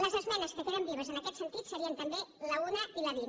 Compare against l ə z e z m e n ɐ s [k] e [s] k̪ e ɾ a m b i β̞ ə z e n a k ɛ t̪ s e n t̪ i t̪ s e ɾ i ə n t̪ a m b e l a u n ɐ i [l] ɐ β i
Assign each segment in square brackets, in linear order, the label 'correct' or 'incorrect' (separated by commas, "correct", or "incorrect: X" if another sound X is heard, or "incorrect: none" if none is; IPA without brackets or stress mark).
correct, incorrect: none, correct